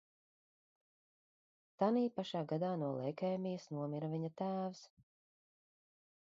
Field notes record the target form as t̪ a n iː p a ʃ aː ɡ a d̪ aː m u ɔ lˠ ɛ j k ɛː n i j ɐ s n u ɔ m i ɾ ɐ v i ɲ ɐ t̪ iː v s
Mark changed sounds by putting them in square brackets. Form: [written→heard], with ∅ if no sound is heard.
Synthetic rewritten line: t̪ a n iː p a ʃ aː ɡ a d̪ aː [m→n] u ɔ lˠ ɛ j k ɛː [n→m] i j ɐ s n u ɔ m i ɾ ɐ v i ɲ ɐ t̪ [iː→æː] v s